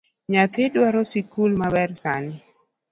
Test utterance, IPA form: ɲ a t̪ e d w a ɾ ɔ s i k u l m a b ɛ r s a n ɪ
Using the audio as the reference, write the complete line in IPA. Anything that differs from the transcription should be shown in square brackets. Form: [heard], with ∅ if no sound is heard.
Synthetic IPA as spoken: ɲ a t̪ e d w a ɾ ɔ s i k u l m a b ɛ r s a n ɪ